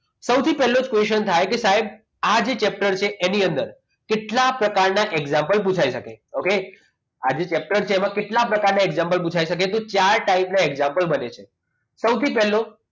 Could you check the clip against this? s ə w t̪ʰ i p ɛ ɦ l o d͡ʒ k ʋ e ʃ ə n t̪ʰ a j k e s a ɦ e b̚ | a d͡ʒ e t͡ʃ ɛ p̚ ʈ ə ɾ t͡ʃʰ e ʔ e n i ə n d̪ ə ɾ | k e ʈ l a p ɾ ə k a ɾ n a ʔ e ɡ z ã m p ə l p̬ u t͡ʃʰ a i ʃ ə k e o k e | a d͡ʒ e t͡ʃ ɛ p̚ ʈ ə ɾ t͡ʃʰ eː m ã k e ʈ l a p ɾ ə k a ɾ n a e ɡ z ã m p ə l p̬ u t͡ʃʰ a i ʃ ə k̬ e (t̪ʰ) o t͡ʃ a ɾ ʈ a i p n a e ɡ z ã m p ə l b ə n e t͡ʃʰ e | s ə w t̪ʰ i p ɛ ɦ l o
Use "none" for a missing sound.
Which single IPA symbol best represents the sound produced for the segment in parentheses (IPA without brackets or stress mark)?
t̪